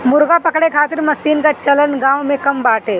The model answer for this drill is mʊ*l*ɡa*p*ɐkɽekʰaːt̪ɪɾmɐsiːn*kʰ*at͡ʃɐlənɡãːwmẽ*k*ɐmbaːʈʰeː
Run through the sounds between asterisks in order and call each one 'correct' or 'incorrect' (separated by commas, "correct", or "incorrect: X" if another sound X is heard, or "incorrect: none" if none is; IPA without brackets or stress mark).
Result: incorrect: ɾ, correct, incorrect: k, correct